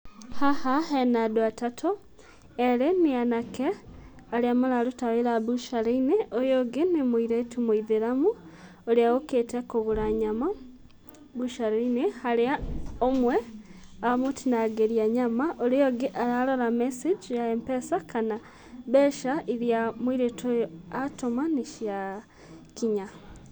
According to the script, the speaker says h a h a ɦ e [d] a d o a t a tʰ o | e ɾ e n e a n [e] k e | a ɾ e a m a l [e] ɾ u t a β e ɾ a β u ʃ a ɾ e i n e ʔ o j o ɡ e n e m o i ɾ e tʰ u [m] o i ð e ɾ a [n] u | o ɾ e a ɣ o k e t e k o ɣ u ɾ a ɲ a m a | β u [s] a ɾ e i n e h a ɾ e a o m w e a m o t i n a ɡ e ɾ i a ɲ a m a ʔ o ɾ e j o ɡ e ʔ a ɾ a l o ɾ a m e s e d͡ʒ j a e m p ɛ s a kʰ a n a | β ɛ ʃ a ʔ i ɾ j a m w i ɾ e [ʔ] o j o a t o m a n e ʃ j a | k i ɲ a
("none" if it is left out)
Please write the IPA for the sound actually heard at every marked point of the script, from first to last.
n, a, a, m, m, ʃ, t

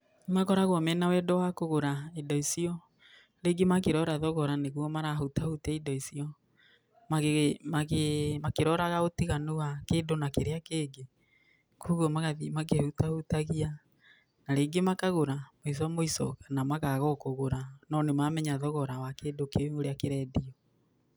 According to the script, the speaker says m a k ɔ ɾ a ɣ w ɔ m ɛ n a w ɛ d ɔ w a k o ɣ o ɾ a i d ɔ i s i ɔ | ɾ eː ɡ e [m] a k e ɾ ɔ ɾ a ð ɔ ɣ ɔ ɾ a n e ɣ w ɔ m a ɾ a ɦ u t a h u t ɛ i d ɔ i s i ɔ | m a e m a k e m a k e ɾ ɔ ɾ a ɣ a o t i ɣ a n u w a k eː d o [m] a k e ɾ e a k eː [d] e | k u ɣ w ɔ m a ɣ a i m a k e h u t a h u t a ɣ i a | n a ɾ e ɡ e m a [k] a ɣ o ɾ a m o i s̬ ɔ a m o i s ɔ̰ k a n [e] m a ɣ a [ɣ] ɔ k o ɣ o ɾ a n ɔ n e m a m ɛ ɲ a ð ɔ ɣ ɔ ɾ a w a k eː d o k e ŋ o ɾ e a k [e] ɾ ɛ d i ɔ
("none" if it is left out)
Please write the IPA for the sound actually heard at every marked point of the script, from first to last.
m, n, ɡ, k, a, ɣ, e

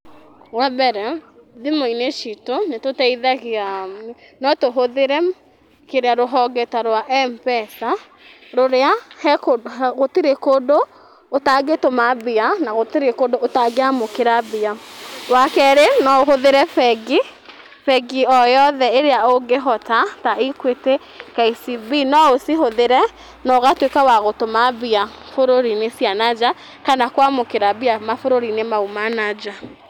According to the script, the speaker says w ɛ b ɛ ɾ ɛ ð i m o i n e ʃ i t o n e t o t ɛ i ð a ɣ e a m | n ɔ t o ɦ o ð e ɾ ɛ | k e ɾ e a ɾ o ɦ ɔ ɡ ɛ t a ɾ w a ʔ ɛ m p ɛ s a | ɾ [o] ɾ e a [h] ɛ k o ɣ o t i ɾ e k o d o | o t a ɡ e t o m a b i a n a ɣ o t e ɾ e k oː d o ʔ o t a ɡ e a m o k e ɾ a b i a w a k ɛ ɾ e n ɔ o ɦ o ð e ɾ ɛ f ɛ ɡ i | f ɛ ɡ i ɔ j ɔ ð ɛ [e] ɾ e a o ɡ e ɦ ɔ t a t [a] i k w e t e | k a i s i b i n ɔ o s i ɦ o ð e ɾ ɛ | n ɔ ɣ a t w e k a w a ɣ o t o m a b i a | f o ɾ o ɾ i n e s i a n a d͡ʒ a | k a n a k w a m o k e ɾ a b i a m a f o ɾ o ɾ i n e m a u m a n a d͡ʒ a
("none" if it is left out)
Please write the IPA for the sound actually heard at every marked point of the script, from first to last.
o, h, e, a

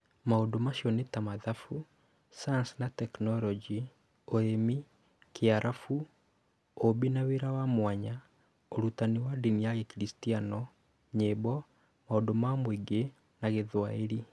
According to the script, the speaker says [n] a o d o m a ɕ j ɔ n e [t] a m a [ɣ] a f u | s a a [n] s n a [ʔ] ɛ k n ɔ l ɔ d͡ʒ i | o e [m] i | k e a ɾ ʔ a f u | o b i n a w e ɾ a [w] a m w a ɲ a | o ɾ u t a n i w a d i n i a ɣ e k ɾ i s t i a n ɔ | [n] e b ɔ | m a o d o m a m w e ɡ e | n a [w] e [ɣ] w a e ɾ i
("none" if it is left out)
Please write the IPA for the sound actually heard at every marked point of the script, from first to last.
m, t, ð, n, t, m, w, ɲ, ɣ, ð

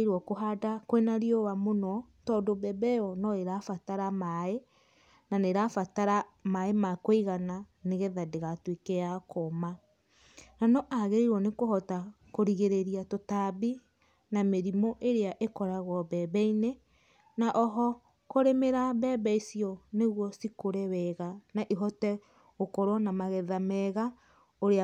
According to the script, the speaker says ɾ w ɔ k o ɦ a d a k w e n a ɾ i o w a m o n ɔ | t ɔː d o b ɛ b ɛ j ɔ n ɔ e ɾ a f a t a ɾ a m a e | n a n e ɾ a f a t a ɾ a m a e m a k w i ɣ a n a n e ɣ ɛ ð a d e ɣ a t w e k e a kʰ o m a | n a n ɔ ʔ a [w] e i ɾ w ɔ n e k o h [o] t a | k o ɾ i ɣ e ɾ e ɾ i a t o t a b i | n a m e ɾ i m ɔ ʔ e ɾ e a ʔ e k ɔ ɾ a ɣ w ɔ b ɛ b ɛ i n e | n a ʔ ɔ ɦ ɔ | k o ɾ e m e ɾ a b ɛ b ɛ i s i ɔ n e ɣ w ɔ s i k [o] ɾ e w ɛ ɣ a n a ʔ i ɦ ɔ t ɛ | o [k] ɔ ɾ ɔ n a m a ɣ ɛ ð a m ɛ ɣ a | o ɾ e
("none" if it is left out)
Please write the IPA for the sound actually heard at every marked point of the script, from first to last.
ɣ, ɔ, o, k

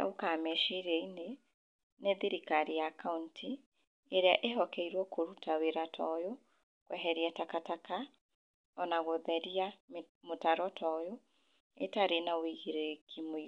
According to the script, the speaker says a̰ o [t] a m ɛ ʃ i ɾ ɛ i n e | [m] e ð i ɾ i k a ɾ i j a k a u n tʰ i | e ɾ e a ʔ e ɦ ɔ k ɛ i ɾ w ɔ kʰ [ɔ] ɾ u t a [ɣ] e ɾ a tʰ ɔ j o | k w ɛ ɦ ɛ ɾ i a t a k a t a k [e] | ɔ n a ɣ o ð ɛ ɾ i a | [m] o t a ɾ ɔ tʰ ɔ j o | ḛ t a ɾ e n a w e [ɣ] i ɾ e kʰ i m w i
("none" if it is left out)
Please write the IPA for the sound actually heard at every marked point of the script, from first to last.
k, n, o, w, a, m, ɣ

